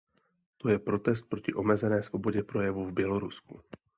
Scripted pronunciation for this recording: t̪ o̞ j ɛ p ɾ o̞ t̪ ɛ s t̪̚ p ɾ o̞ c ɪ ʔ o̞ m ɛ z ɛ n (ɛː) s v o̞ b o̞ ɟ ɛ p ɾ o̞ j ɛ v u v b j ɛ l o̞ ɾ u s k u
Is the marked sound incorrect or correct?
correct